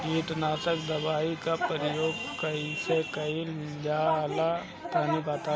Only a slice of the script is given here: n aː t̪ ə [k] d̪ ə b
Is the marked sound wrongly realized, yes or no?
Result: no